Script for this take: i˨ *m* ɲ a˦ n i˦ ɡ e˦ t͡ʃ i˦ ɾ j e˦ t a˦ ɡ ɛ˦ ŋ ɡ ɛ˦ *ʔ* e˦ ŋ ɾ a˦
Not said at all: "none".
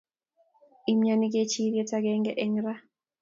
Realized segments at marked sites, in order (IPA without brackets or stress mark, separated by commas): m, ʔ